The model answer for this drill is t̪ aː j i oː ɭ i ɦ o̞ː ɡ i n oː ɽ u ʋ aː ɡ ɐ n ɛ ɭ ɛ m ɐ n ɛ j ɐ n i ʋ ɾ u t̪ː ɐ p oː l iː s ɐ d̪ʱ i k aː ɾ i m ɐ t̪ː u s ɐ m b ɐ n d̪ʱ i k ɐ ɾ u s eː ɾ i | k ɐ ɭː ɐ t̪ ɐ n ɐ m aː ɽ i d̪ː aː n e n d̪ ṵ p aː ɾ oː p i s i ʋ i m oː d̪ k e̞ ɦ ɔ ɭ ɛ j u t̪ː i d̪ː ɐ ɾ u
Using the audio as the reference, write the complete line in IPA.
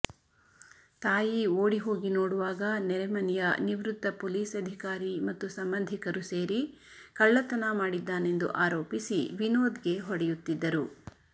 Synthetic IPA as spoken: t̪ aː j i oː ɽ i ɦ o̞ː ɡ i n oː ɽ u ʋ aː ɡ ɐ n ɛ ɾ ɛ m ɐ n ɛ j ɐ n i ʋ ɾ u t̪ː ɐ p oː l iː s ɐ d̪ʱ i k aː ɾ i m ɐ t̪ː u s ɐ m b ɐ n d̪ʱ i k ɐ ɾ u s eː ɾ i | k ɐ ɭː ɐ t̪ ɐ n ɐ m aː ɽ i d̪ː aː n e n d̪ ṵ ʔ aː ɾ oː p i s i ʋ i n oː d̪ ɡ e̞ ɦ ɔ ɽ ɛ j u t̪ː i d̪ː ɐ ɾ u